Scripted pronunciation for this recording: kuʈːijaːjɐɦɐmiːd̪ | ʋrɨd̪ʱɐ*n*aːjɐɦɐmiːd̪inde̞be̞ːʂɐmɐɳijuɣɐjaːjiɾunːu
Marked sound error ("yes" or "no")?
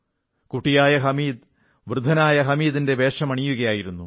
no